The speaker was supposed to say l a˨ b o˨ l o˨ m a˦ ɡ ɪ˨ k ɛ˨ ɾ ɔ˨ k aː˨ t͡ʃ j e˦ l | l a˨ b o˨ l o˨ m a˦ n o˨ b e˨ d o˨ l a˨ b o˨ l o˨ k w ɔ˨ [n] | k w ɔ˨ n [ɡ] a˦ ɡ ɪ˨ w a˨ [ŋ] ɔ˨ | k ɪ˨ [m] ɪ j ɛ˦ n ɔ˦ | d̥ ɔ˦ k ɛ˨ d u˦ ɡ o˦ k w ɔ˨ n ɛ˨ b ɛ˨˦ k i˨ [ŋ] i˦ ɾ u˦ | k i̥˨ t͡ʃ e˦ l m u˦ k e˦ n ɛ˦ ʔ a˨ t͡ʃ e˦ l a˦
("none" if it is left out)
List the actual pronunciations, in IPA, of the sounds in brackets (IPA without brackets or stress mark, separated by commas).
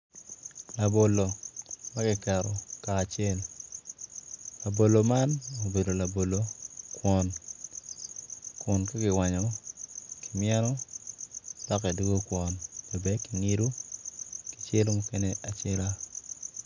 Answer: n, k, ɲ, m, ŋ